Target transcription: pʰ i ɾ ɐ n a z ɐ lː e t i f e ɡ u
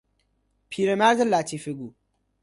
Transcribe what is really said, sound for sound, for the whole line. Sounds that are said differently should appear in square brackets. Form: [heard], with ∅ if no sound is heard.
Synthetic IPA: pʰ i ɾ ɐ [m] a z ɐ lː [a] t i f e ɡ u